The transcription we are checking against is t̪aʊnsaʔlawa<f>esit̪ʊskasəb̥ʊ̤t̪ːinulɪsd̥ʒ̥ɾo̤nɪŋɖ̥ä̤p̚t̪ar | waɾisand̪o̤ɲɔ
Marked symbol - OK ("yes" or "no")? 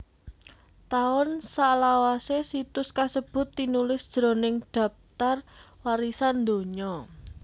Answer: no